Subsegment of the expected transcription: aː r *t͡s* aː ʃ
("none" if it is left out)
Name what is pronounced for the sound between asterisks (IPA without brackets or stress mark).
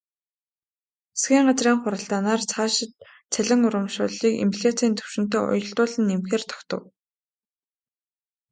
t͡sʰ